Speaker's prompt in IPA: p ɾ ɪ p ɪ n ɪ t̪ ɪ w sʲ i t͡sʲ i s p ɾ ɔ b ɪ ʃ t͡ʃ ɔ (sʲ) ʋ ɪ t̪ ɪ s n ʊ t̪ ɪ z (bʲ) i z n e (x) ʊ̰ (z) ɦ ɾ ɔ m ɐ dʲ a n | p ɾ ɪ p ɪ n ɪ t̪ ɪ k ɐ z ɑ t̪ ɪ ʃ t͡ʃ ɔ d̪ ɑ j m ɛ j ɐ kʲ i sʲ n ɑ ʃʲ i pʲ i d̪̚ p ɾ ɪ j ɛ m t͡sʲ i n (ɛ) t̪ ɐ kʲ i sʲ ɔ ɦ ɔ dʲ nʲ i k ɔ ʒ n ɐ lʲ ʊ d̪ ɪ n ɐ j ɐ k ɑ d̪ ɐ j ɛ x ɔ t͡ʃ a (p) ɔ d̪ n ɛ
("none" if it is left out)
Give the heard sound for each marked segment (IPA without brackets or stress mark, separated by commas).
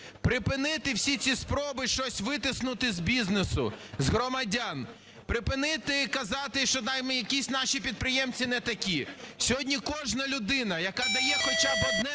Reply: sʲ, bʲ, s, z, ɛ, b